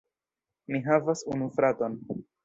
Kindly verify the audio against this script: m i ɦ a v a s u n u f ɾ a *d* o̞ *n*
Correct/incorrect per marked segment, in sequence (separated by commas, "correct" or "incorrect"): incorrect, correct